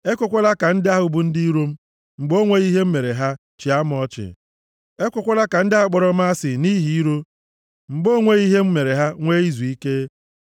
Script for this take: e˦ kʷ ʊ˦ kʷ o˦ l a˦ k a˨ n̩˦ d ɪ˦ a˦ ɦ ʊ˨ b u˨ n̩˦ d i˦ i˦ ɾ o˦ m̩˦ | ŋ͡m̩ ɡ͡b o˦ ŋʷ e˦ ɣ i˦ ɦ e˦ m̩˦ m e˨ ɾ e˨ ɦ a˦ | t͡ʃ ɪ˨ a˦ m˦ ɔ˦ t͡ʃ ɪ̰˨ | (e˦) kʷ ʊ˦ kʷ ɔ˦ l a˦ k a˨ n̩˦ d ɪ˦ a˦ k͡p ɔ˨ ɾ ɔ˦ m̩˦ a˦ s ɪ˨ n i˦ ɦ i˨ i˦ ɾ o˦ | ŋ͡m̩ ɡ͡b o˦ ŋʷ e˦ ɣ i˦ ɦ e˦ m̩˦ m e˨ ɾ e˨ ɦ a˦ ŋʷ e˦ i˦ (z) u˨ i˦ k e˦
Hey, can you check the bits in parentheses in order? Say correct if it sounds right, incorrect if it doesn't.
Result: correct, correct

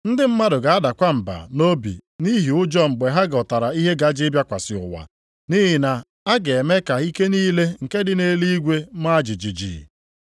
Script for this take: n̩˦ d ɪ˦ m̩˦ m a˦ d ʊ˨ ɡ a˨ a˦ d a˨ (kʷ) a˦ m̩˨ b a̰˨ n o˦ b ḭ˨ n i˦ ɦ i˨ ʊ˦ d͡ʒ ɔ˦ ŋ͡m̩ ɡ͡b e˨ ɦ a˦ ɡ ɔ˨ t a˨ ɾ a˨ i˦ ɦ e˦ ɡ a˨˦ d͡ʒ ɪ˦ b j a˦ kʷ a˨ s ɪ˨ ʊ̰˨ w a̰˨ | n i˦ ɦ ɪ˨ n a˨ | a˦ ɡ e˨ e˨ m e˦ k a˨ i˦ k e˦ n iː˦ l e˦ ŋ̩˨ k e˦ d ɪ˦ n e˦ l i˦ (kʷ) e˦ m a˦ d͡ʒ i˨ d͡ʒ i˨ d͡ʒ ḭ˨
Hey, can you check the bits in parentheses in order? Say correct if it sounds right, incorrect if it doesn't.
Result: correct, incorrect: ɡʷ

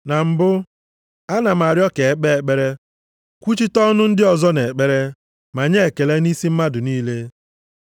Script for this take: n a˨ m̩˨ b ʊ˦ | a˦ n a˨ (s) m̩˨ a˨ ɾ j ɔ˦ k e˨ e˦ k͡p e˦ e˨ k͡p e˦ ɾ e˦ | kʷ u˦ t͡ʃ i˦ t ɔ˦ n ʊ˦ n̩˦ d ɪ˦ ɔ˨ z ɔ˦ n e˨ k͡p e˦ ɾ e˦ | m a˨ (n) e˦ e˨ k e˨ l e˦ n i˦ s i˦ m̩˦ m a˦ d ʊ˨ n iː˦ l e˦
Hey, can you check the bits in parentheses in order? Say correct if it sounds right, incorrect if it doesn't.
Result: incorrect: none, incorrect: ɲ

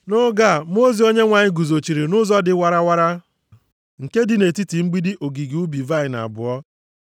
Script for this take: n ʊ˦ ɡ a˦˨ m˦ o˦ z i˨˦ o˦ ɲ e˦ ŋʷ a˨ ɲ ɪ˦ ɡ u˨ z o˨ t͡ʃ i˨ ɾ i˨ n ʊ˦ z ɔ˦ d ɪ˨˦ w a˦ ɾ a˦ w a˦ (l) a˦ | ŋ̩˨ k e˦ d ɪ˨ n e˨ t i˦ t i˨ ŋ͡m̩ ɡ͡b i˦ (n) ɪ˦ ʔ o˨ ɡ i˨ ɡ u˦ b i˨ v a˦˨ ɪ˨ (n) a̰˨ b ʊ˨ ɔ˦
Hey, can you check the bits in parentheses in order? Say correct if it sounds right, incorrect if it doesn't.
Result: incorrect: ɾ, incorrect: d, correct

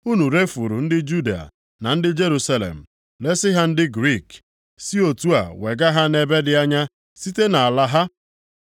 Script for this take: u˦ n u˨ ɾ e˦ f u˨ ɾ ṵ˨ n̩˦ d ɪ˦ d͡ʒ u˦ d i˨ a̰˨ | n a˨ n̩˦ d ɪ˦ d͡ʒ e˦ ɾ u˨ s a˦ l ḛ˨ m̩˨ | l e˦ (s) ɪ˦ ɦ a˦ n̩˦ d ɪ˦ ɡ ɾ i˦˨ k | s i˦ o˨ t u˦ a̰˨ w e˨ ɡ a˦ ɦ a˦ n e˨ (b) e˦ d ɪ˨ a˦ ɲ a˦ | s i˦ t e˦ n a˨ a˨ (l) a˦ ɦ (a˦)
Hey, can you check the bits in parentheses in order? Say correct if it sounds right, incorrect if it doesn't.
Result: correct, correct, correct, correct

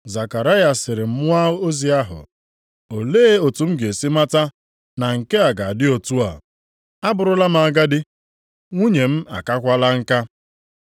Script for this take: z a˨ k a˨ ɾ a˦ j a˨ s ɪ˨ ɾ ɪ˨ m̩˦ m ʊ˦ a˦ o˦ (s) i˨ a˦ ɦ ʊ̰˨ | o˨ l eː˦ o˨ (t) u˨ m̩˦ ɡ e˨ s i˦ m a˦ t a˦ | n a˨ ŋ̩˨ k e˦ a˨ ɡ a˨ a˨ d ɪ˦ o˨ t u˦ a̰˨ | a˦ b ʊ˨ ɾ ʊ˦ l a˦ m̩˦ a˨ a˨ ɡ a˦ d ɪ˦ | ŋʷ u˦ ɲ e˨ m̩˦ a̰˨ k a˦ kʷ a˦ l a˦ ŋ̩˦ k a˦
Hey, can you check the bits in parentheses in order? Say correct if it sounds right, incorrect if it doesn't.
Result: incorrect: z, correct

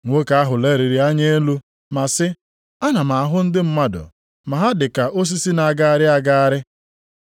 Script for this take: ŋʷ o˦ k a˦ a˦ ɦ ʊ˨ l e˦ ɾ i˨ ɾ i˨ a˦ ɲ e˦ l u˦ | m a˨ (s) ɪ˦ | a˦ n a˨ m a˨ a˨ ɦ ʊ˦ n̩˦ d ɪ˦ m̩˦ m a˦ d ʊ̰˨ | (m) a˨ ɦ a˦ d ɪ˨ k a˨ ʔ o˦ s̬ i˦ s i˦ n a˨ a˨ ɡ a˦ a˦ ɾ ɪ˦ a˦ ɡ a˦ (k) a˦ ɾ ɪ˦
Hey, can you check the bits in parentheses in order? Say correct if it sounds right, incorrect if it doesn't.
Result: correct, correct, incorrect: none

